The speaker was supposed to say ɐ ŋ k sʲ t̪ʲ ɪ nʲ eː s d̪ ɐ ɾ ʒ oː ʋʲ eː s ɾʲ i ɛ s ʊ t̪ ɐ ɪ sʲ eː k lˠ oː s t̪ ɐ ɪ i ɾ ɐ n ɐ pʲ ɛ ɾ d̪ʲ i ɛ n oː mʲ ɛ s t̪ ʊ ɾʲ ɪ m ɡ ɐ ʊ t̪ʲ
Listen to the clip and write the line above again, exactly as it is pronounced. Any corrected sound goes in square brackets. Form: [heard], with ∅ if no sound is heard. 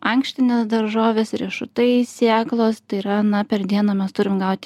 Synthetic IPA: ɐ ŋ k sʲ t̪ʲ ɪ nʲ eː s d̪ ɐ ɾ ʒ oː ʋʲ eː s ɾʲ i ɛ [ʃ] ʊ t̪ ɐ ɪ sʲ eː k lˠ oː s t̪ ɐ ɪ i ɾ ɐ n ɐ pʲ ɛ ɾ d̪ʲ i ɛ n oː mʲ ɛ s t̪ ʊ ɾʲ ɪ m ɡ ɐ ʊ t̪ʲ

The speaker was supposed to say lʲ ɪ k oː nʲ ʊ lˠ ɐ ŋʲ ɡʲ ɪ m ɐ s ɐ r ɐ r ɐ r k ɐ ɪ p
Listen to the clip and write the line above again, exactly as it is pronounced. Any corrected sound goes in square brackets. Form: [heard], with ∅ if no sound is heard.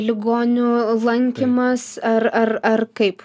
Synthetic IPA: lʲ ɪ [ɡ] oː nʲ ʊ lˠ ɐ ŋʲ [kʲ] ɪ m ɐ s ɐ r ɐ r ɐ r k ɐ ɪ p

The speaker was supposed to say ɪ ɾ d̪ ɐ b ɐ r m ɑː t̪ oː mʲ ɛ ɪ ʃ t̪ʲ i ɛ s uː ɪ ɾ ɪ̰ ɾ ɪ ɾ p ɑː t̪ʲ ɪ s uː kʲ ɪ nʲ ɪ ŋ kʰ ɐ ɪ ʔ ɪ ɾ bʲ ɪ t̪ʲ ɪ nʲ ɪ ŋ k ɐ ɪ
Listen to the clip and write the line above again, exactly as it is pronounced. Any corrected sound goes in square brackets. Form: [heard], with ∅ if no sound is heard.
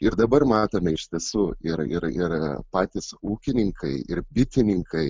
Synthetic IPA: ɪ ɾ d̪ ɐ b ɐ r m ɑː t̪ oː mʲ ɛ ɪ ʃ t̪ʲ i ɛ s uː ɪ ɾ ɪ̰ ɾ ɪ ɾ p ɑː t̪ʲ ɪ s uː kʲ ɪ nʲ ɪ ŋ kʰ ɐ ɪ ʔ ɪ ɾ bʲ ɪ t̪ʲ ɪ nʲ ɪ ŋ k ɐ ɪ

